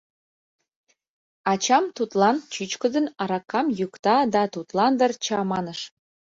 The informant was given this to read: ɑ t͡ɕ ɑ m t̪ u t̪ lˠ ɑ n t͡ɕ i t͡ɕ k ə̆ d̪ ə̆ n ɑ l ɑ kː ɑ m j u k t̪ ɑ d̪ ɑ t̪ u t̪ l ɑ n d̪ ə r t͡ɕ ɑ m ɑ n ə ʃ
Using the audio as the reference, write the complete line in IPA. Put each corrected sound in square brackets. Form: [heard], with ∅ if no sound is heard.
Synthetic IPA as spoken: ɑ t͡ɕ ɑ m t̪ u t̪ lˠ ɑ n t͡ɕ [y] t͡ɕ k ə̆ d̪ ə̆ n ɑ [ɾ] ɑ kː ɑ m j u k t̪ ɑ d̪ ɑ t̪ u t̪ l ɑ n d̪ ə r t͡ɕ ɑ m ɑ n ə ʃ